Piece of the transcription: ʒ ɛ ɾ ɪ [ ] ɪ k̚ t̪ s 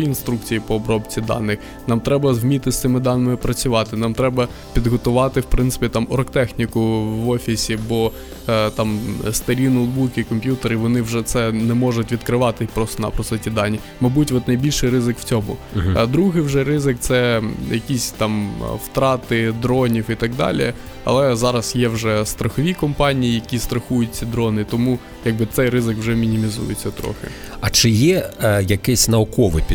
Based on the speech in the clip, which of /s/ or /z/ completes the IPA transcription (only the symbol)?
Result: z